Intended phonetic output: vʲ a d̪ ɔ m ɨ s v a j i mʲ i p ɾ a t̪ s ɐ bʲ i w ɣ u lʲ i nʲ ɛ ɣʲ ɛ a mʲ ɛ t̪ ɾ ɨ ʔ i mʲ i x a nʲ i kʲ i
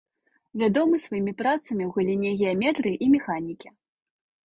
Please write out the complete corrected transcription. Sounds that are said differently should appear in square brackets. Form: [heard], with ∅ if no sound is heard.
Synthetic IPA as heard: vʲ a d̪ ɔ m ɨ s v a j i mʲ i p ɾ a t̪ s ɐ [mʲ] i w ɣ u lʲ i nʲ ɛ ɣʲ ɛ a mʲ ɛ t̪ ɾ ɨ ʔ i mʲ [ɛ] x a nʲ i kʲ i